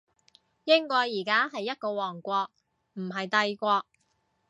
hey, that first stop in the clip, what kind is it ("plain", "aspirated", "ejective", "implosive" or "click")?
plain